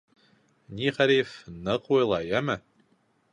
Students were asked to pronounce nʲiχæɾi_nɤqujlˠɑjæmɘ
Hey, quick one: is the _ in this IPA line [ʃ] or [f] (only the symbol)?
f